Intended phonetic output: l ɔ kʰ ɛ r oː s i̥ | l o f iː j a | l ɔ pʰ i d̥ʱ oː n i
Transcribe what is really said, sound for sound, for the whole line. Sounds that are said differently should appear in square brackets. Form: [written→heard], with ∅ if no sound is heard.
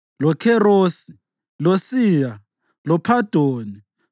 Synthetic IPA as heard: l ɔ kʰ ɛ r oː s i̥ | l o [f→s] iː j a | l ɔ pʰ [i→a] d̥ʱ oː n i